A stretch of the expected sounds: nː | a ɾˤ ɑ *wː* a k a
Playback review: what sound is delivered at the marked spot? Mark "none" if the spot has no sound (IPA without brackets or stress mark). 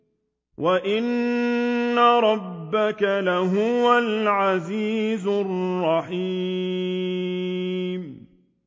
bː